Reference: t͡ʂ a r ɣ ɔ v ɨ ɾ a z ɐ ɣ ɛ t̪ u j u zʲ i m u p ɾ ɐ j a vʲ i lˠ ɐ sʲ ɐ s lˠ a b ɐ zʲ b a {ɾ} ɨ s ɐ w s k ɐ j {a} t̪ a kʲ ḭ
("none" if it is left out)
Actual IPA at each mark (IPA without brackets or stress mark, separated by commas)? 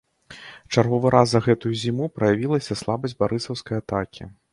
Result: ɾ, a